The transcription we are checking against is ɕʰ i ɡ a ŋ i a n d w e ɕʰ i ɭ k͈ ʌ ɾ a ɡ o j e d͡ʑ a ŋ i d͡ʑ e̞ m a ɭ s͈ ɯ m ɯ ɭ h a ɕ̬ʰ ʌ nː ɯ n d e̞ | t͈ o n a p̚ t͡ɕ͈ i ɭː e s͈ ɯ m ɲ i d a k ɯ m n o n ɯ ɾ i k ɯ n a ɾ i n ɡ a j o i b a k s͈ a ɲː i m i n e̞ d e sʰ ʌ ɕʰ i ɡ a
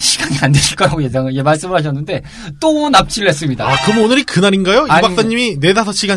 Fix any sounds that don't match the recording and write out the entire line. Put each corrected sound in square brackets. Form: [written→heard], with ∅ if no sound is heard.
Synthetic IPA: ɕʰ i ɡ a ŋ i a n d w e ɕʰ i ɭ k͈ ʌ ɾ a ɡ o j e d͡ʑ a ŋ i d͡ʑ e̞ m a ɭ s͈ ɯ m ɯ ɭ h a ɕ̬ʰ ʌ nː ɯ n d e̞ | t͈ o n a p̚ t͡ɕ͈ i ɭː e s͈ ɯ m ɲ i d a k ɯ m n o n ɯ ɾ i k ɯ n a ɾ i n ɡ a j o i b a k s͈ a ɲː i m i n e̞ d [e→a] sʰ ʌ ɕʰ i ɡ a